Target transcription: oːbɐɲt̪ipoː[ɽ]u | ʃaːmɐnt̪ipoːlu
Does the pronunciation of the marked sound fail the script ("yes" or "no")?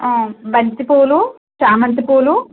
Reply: yes